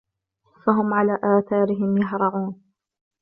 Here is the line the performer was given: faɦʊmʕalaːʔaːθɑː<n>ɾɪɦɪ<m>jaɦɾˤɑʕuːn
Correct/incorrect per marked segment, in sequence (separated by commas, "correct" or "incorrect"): incorrect, correct